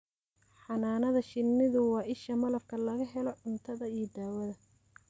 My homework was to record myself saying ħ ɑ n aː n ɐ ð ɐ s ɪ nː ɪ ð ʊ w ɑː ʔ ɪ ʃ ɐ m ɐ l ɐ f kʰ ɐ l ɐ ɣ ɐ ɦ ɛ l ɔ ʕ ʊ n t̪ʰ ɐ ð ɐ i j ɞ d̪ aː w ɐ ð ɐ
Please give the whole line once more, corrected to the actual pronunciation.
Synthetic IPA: ħ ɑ n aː n ɐ ð ɐ ʃ ɪ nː ɪ ð ʊ w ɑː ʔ ɪ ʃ ɐ m ɐ l ɐ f kʰ ɐ l ɐ ɣ ɐ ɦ ɛ l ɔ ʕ ʊ n t̪ʰ ɐ ð ɐ i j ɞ d̪ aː w ɐ ð ɐ